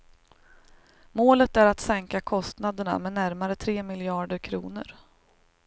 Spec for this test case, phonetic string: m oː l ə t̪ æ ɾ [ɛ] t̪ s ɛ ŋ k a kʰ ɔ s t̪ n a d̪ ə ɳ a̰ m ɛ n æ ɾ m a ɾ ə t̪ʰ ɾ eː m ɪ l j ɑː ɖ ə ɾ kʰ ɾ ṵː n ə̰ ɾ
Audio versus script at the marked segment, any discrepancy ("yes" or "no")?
yes